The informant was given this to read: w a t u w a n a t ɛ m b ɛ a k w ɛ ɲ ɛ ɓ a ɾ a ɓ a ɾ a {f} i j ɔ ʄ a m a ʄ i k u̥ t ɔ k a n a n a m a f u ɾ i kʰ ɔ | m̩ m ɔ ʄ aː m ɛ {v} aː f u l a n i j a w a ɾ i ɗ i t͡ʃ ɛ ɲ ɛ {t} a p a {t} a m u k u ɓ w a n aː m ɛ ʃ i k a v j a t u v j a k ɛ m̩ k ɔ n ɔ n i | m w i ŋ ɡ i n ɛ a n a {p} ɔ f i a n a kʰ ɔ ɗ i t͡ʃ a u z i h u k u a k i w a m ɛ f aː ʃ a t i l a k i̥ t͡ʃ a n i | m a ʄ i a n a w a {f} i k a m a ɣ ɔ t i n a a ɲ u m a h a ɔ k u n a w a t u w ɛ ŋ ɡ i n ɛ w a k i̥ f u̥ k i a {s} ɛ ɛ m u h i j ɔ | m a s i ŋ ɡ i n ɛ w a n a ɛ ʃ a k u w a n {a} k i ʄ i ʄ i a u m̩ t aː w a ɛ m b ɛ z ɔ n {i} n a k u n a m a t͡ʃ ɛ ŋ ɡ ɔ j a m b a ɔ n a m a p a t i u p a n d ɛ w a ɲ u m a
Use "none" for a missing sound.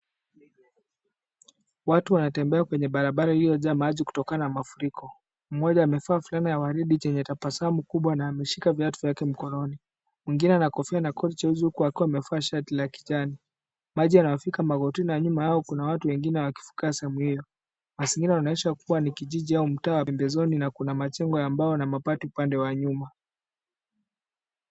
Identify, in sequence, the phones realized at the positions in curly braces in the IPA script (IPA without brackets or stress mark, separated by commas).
h, f, t, s, k, f, s, i, i